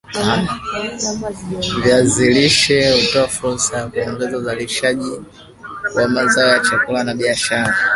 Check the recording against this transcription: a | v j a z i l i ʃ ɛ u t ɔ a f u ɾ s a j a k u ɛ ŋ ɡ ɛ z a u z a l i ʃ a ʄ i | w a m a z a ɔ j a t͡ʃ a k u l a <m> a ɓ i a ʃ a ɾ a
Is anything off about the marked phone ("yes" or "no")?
yes